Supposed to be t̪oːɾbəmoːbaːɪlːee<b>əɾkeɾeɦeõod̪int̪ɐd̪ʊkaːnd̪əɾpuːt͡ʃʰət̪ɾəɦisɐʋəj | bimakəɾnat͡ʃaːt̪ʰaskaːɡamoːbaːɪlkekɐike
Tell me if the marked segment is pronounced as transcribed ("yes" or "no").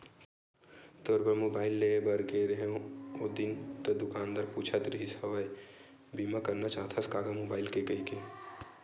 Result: yes